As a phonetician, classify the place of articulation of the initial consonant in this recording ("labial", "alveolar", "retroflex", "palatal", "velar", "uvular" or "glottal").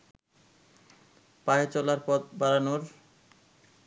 labial